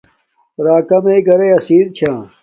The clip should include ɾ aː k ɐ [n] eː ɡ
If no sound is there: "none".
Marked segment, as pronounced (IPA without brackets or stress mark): m